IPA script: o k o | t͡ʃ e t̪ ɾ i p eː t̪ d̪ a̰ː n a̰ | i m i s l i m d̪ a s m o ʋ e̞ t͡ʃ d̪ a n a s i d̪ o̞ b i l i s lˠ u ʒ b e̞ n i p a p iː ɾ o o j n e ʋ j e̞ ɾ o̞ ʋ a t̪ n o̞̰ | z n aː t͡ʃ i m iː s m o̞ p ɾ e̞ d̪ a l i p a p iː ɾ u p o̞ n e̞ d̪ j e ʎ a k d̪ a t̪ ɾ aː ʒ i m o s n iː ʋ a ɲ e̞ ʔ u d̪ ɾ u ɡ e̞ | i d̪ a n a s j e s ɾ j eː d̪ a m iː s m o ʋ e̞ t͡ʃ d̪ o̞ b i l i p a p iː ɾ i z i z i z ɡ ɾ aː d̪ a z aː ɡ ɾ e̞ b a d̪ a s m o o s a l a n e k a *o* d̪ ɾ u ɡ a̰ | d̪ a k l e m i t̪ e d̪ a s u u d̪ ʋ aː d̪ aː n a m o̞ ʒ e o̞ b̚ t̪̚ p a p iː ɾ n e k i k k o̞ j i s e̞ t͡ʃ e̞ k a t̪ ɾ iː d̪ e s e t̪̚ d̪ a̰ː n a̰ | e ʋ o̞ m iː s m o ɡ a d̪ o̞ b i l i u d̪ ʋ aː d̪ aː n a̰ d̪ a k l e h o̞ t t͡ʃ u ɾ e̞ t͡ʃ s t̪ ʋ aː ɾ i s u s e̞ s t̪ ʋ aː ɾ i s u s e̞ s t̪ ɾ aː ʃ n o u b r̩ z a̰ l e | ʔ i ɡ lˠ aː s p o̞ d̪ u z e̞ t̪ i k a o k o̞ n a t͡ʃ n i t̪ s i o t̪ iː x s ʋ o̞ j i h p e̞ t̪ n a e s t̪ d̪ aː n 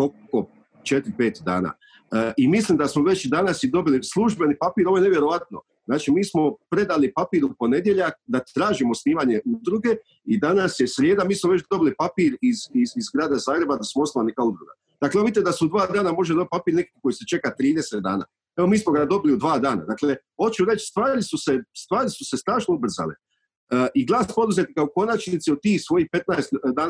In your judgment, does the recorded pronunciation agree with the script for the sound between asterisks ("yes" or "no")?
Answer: no